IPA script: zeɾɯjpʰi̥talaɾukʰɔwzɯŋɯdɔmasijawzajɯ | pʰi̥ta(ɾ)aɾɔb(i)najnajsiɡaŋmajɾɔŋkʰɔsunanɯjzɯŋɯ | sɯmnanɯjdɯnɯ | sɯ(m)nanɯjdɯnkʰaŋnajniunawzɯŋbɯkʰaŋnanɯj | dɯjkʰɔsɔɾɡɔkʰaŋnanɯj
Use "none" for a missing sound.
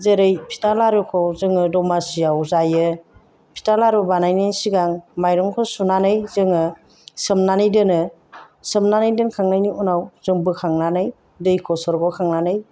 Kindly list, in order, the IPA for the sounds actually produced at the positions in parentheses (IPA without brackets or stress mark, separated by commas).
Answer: l, a, m